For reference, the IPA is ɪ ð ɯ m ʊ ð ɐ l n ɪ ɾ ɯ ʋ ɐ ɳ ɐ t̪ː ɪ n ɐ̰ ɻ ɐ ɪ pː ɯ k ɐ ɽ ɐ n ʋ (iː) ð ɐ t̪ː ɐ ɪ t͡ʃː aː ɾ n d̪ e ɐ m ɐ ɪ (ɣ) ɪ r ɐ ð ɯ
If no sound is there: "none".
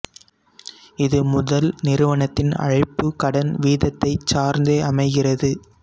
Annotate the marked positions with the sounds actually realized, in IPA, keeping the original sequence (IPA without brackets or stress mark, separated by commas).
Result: iː, ɣ